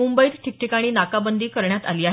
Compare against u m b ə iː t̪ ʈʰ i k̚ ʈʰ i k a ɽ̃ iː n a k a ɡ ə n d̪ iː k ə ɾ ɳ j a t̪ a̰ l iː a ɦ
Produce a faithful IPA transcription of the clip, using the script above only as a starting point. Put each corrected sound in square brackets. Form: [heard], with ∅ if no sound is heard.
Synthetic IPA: u m b ə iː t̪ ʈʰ i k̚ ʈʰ i k a ɽ̃ iː n a k a [b] ə n d̪ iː k ə ɾ ɳ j a t̪ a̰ l iː a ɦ